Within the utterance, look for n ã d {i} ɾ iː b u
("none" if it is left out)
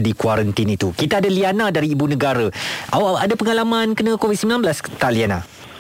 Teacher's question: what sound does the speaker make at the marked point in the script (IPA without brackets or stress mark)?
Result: a